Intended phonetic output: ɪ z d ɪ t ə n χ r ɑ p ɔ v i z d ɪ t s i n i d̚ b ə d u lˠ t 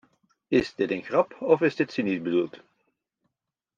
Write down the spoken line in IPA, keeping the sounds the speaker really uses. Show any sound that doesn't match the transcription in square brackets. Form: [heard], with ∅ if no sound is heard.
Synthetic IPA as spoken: ɪ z d ɪ t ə n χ r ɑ p ɔ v [ɪ] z d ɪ t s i n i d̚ b ə d u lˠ t